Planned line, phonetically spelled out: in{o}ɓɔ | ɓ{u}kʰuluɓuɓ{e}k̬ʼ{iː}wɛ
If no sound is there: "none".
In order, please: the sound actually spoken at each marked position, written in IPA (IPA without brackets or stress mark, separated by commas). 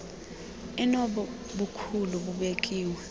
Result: ɔ, u, e, iː